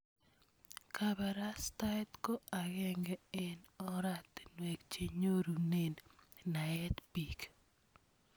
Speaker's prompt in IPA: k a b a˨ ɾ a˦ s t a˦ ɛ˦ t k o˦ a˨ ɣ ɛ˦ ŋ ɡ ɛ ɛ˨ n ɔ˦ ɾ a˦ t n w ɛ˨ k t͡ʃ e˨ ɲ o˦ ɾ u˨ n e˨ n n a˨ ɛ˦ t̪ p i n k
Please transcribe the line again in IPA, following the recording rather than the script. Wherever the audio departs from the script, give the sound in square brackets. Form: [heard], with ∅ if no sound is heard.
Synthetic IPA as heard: k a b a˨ ɾ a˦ s t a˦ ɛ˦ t k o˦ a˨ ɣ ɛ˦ ŋ ɡ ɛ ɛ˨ n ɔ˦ ɾ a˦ t n w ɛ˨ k t͡ʃ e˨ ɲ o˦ ɾ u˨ n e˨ n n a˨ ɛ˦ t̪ p i [∅] k